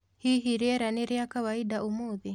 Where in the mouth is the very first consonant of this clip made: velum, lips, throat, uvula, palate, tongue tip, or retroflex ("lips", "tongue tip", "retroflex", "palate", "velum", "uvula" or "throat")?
throat